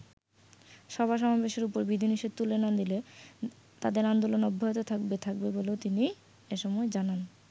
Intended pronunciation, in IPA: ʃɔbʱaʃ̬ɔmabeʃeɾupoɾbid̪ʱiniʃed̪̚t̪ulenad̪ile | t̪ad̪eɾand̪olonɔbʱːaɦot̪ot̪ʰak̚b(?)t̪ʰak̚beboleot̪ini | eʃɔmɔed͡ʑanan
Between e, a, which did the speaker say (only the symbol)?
e